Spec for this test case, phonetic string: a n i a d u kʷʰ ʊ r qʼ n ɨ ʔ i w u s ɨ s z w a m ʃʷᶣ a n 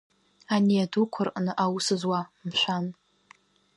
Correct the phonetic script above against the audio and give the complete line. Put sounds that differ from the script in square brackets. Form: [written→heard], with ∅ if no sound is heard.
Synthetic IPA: a n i a d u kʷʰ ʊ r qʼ n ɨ ʔ [i→a] w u s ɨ [s→∅] z w a m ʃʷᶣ a n